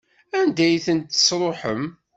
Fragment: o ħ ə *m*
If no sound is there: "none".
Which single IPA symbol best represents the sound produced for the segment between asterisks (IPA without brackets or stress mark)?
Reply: m